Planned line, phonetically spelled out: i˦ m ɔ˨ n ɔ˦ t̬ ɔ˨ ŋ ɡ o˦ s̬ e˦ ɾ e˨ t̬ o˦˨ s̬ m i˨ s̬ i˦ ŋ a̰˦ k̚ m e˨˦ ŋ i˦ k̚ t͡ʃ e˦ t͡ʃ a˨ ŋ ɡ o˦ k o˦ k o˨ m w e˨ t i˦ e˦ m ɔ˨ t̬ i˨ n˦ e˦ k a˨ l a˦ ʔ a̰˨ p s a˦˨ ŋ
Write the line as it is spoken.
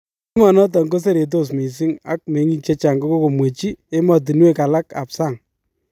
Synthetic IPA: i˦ m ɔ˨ n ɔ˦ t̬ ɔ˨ ŋ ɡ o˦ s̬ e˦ ɾ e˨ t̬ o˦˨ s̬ m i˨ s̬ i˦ ŋ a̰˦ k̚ m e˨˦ ŋ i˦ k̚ t͡ʃ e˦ t͡ʃ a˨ ŋ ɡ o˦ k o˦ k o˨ m w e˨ t͡ʃ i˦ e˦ m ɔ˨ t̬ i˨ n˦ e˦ k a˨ l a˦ k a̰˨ p s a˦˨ ŋ